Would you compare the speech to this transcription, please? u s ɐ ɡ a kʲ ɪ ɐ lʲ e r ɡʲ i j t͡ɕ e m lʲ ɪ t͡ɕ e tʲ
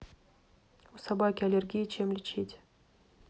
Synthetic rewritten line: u s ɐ b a kʲ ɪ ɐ lʲ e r ɡʲ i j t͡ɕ e m lʲ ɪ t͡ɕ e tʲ